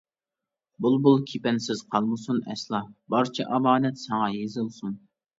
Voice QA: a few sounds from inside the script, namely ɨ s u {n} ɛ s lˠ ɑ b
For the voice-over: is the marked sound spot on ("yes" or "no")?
yes